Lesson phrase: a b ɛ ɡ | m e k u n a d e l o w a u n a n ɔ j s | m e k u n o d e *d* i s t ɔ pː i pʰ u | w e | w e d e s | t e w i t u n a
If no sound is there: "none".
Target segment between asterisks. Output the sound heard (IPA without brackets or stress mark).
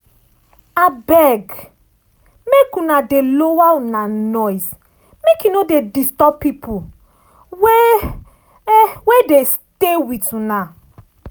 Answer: d